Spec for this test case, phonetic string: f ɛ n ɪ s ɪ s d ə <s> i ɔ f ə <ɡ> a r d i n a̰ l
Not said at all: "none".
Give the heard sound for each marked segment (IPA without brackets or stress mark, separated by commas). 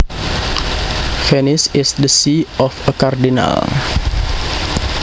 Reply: s, k